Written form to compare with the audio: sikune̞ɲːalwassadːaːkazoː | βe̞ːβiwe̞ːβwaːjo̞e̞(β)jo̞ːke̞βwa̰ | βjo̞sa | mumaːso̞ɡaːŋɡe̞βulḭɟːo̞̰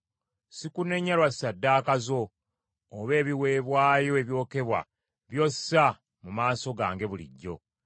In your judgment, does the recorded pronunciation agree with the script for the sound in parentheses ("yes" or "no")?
yes